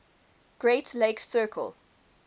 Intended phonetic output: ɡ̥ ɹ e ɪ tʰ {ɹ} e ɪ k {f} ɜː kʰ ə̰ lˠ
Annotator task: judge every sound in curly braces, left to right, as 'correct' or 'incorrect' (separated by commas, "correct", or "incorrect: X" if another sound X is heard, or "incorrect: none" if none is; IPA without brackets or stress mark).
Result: incorrect: l, incorrect: s